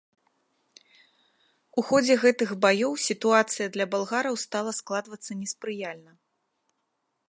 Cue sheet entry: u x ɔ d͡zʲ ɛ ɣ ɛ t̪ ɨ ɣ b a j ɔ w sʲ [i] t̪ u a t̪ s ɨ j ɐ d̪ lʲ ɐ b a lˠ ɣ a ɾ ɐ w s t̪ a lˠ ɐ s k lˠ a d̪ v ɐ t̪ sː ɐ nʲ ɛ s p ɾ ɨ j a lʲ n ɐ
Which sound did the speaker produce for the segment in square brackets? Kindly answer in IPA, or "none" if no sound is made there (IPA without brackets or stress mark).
i